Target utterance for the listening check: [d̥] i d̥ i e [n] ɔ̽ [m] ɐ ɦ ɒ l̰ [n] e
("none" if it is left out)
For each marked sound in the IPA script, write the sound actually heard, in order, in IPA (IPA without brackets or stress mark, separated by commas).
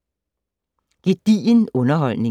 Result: ɡ̥, n, n, n